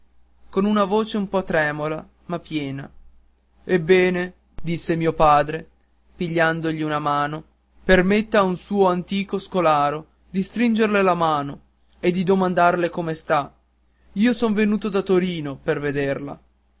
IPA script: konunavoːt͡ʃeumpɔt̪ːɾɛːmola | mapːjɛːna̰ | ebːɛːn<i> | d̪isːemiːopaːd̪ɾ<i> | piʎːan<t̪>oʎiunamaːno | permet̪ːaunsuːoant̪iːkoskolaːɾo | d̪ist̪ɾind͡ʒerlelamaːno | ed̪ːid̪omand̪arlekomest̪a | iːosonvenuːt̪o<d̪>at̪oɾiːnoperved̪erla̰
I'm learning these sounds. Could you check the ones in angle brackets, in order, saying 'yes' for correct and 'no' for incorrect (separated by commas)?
no, no, no, yes